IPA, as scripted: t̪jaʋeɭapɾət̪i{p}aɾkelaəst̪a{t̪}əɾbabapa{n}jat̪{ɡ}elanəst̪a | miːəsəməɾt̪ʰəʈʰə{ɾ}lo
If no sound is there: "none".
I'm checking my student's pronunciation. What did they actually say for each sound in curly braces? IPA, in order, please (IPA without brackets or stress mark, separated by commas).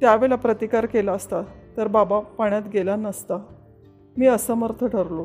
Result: k, t̪, ɳ, ɡ, ɾ